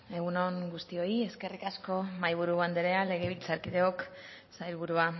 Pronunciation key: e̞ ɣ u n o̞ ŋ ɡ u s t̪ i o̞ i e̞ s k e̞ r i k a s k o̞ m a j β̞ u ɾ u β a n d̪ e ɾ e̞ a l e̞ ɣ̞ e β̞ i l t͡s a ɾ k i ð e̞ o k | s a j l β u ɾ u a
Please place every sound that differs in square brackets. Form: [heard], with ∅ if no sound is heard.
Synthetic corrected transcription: e̞ ɣ u n o̞ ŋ ɡ u s t̪ i o̞ i e̞ s k e̞ r i k a s k o̞ m a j β̞ u ɾ u β a n d̪ e ɾ e̞ a l e̞ ɣ̞ e β̞ i l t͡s a ɾ k i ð e̞ o k | s a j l β u ɾ u a